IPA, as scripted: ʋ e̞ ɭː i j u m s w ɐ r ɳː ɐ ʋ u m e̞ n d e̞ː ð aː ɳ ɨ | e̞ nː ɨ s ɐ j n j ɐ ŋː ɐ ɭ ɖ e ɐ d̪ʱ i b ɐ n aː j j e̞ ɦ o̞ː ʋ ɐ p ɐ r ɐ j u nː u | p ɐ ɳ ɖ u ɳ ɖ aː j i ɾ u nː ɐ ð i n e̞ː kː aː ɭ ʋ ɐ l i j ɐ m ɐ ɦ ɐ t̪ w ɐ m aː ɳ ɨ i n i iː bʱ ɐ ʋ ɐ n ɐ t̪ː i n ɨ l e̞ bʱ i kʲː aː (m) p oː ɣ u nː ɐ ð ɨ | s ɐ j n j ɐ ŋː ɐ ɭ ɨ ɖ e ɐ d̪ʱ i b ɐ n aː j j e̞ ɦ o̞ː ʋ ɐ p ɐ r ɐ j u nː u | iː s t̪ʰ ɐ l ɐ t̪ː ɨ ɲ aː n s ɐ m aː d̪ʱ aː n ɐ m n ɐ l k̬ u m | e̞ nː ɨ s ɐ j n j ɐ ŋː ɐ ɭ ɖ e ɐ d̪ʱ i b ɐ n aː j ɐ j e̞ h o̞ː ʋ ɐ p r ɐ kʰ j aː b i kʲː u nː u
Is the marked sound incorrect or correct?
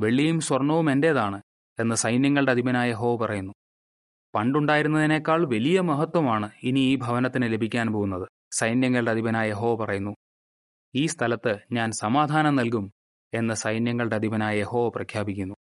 incorrect